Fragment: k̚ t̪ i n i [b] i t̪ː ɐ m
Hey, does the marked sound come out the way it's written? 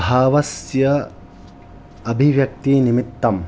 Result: no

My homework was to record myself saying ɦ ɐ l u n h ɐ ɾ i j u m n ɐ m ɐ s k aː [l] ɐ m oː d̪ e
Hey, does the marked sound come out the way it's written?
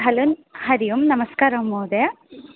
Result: no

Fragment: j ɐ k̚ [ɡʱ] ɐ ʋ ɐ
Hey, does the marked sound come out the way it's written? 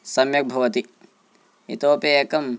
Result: no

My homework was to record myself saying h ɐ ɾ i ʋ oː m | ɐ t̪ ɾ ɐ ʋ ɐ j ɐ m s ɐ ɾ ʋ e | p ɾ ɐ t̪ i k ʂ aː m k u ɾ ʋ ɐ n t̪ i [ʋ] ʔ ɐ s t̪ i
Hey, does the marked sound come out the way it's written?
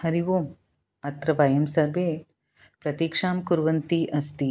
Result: no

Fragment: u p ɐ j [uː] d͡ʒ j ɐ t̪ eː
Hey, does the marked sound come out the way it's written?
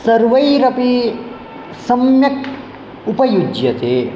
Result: no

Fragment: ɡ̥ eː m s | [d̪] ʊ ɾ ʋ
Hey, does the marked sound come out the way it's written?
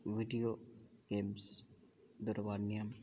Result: yes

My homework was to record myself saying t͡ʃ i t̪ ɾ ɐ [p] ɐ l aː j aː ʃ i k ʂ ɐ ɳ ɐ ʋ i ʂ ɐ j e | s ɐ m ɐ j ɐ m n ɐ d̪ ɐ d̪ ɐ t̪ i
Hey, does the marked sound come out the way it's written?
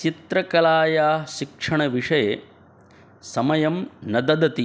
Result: no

